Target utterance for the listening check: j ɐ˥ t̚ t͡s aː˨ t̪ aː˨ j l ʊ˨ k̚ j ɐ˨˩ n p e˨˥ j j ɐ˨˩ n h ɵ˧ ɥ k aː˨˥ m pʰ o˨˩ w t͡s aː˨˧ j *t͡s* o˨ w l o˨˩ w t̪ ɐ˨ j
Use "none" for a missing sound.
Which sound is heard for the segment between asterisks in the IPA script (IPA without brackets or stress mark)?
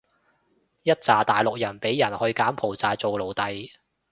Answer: t͡s